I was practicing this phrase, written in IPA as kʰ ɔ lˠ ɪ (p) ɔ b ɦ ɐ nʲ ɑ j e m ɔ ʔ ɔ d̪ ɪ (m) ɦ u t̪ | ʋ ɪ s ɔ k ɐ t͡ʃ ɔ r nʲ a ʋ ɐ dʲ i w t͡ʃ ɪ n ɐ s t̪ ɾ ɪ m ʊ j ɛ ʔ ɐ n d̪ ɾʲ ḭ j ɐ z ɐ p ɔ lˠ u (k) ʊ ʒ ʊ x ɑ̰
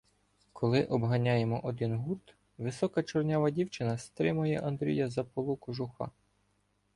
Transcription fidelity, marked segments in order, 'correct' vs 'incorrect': incorrect, incorrect, correct

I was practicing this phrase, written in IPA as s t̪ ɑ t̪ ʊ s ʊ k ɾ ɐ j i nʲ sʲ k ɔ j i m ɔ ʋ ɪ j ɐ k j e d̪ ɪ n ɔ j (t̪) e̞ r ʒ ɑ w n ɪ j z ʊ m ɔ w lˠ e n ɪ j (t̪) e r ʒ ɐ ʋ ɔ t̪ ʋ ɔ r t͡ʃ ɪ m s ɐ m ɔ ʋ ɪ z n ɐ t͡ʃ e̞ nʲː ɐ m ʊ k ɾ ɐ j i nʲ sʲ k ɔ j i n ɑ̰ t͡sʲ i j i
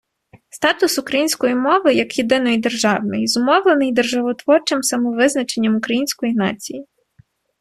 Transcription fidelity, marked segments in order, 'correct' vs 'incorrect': incorrect, incorrect

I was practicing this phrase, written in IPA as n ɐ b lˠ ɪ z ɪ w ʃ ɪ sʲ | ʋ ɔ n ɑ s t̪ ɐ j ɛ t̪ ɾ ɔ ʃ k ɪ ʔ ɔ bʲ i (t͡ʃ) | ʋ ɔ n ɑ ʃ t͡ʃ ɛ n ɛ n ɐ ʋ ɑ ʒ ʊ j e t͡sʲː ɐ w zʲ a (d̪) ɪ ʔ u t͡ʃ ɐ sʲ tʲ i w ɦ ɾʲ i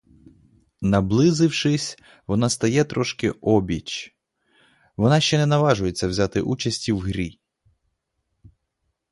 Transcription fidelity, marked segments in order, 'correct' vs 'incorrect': correct, incorrect

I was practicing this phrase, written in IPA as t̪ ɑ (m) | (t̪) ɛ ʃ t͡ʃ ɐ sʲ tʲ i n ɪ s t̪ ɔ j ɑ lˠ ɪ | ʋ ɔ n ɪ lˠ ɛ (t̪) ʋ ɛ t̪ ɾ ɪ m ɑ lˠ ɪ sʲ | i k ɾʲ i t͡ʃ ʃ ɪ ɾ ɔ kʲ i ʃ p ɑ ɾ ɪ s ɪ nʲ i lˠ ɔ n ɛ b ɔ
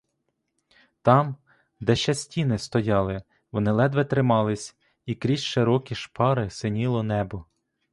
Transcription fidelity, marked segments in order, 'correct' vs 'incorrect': correct, incorrect, incorrect

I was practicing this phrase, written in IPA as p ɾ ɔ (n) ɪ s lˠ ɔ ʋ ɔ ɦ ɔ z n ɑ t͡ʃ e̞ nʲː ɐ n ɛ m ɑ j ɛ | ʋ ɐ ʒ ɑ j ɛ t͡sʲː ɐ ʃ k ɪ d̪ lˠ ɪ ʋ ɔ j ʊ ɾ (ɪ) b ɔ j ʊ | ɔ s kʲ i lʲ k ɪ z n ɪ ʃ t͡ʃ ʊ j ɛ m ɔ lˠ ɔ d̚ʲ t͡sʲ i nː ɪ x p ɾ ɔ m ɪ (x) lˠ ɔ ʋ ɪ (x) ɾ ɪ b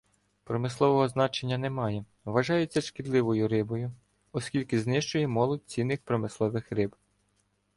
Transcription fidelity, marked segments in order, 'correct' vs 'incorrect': incorrect, correct, incorrect, correct

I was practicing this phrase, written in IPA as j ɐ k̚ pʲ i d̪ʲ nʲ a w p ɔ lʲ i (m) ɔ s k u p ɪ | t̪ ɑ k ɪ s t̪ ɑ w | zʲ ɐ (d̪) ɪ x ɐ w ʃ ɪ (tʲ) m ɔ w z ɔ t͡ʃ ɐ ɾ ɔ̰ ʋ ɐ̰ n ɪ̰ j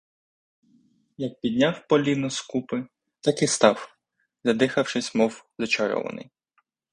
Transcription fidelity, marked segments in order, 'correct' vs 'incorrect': incorrect, correct, incorrect

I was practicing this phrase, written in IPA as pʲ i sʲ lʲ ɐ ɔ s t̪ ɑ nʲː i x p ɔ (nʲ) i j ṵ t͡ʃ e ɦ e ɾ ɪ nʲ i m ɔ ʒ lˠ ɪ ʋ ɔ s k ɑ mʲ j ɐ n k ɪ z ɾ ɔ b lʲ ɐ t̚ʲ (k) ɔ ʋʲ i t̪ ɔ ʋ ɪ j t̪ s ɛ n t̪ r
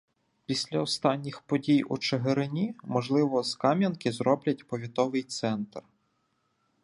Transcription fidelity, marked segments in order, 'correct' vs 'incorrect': incorrect, incorrect

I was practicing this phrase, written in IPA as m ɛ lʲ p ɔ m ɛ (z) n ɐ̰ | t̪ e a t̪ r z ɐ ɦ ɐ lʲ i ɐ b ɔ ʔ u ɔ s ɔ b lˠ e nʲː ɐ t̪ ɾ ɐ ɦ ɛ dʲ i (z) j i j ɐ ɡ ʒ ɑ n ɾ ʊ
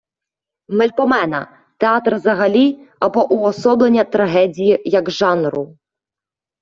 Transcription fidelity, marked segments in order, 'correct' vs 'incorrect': incorrect, incorrect

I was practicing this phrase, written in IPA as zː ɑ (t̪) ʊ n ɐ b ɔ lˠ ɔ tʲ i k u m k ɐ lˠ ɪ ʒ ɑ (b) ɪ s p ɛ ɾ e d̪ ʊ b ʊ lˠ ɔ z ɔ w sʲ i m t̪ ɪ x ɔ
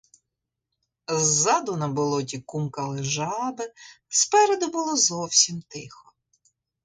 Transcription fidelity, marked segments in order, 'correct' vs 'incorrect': incorrect, correct

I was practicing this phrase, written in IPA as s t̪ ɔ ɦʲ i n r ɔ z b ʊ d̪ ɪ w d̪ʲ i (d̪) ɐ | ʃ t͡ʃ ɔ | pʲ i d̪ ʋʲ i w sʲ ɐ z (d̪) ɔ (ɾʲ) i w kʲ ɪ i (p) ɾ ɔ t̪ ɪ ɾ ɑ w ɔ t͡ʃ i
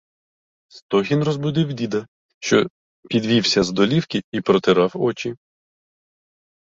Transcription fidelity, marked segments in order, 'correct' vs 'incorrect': correct, correct, incorrect, correct

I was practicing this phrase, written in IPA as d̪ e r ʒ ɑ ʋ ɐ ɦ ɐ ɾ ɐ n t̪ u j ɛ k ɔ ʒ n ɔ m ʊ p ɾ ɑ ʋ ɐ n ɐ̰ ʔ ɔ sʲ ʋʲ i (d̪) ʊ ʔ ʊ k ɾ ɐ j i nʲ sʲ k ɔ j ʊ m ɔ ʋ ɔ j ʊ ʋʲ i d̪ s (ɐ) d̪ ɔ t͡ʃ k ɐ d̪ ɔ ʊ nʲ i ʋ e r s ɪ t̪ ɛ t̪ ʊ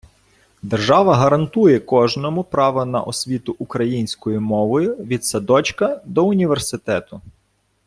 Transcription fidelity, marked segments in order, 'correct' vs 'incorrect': incorrect, correct

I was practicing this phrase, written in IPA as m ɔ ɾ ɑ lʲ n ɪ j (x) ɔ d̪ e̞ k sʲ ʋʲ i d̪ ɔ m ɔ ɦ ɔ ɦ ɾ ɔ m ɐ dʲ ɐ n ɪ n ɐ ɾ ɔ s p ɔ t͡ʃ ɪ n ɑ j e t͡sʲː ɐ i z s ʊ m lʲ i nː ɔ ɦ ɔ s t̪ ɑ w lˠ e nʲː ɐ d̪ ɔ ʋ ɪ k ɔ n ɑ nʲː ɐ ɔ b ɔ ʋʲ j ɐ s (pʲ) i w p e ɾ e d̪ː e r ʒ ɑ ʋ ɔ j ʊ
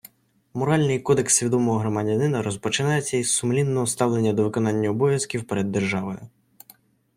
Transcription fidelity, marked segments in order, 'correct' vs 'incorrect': incorrect, incorrect

